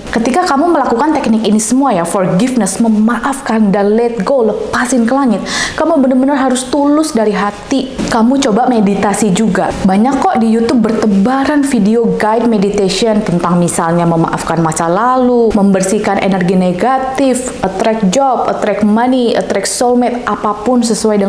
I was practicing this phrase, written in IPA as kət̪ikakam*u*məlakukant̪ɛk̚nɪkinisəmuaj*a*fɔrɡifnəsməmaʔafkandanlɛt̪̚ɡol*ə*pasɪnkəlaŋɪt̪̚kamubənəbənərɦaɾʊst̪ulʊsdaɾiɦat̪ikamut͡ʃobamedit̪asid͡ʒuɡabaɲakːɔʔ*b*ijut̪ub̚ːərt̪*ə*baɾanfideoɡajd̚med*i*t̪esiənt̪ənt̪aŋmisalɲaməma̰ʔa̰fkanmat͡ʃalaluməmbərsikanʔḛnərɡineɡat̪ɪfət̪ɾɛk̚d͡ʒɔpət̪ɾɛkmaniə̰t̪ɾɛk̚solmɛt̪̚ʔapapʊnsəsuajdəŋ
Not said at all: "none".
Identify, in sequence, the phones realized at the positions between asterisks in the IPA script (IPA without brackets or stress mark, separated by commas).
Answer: u, a, ə, d, ə, i